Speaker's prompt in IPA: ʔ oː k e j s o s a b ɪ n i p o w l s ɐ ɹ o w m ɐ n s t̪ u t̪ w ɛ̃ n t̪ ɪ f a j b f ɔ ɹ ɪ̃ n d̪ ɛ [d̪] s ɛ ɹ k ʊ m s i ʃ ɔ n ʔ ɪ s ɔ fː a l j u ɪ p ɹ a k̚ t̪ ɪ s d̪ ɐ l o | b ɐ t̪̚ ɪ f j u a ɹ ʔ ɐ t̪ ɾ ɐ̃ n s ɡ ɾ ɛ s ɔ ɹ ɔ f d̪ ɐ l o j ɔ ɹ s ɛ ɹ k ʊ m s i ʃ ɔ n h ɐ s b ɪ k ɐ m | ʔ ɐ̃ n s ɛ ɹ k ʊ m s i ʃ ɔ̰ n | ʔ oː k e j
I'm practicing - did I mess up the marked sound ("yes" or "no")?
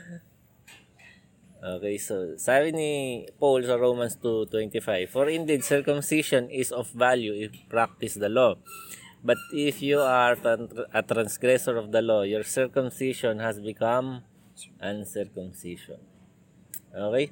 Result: no